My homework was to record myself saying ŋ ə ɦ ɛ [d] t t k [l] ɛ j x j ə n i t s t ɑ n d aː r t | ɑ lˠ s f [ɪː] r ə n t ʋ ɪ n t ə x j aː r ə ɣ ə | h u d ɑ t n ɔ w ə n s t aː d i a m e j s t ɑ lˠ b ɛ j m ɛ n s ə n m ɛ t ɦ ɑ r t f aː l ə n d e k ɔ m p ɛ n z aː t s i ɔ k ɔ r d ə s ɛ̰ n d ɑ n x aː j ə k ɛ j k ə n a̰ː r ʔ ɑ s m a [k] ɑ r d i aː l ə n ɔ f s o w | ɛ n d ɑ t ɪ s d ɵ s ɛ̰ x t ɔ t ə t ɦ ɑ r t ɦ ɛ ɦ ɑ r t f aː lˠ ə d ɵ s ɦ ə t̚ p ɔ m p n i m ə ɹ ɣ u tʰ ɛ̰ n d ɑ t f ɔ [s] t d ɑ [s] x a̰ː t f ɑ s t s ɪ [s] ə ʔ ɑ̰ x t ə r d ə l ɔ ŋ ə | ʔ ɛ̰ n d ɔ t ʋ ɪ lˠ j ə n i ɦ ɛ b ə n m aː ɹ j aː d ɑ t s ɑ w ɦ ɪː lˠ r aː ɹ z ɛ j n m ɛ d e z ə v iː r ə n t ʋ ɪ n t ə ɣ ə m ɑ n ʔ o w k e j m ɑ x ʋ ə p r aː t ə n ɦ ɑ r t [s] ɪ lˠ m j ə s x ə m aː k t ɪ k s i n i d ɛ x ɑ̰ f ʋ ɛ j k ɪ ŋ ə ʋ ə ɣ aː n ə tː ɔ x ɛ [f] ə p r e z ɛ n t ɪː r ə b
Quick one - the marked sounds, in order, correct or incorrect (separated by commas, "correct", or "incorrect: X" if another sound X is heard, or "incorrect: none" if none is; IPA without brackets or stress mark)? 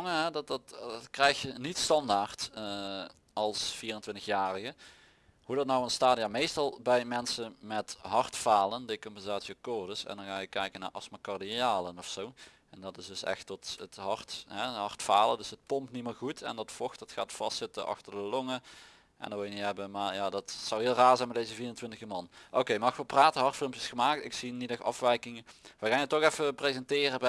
correct, incorrect: r, incorrect: iː, correct, incorrect: x, incorrect: t, incorrect: t, incorrect: f, correct